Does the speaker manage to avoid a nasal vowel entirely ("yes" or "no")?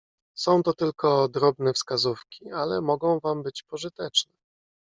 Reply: no